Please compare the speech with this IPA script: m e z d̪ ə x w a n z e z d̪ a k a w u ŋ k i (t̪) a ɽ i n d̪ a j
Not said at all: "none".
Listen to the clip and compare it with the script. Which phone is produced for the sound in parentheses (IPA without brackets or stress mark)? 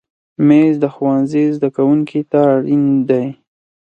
t̪